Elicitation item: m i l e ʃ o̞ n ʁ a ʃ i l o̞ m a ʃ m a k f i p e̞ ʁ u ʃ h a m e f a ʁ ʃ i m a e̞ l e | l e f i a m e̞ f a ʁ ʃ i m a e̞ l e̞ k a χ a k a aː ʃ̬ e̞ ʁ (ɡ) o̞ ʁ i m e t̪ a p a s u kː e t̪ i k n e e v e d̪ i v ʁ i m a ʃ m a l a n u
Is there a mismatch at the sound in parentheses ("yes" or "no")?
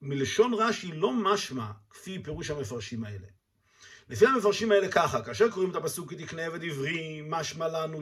yes